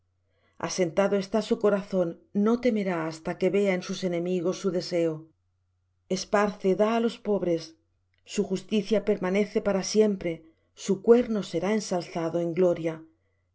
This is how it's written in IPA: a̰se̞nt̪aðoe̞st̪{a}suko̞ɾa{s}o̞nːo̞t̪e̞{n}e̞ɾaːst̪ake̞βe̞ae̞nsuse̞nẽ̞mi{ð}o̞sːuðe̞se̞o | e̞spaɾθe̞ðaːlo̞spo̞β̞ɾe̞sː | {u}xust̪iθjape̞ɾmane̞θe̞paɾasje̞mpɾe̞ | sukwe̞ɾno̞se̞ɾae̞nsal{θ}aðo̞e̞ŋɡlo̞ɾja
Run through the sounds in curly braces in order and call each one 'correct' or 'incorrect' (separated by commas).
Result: correct, incorrect, incorrect, incorrect, correct, correct